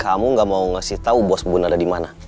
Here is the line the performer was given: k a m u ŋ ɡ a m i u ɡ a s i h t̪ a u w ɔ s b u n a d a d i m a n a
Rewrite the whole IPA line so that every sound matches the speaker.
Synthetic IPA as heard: k a m u ŋ ɡ a m a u ŋ a s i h t̪ a u b ɔ s b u n a d a d i m a n a